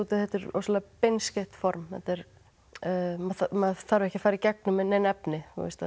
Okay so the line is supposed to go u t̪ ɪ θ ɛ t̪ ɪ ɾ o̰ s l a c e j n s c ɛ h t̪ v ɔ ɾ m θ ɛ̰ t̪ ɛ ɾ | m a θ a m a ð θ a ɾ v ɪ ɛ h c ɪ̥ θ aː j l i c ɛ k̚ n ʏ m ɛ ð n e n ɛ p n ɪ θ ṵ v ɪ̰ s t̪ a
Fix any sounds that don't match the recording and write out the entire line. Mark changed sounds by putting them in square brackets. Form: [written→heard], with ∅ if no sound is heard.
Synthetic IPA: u t̪ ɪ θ ɛ t̪ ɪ ɾ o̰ s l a [c→p] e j n s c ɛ h t̪ [v→f] ɔ ɾ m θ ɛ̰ t̪ ɛ ɾ | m a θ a m a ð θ a ɾ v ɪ ɛ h c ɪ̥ [θ→f] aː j [l→ɾ] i c ɛ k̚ n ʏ m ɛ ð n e n ɛ p n ɪ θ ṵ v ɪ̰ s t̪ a